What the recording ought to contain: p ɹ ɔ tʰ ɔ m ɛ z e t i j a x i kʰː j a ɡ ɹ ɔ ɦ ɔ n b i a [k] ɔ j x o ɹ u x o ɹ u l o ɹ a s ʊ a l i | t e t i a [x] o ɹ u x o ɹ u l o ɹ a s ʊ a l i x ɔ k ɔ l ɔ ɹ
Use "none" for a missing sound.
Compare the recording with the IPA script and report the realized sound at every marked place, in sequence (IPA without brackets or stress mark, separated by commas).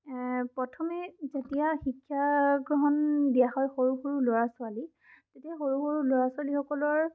x, x